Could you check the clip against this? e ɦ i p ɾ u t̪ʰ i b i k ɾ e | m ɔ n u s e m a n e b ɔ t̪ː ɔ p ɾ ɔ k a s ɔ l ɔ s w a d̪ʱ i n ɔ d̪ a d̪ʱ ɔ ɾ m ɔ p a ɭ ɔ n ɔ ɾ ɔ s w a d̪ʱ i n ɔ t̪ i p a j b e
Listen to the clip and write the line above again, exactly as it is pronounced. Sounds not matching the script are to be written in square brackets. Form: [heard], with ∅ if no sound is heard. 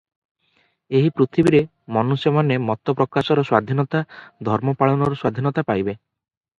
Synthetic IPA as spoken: e ɦ i p ɾ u t̪ʰ i b i [∅] ɾ e | m ɔ n u s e m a n e [m] ɔ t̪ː ɔ p ɾ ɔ k a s ɔ [ɾ] ɔ s w a d̪ʱ i n ɔ [t̪] a d̪ʱ ɔ ɾ m ɔ p a ɭ ɔ n ɔ ɾ ɔ s w a d̪ʱ i n ɔ t̪ [a] p a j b e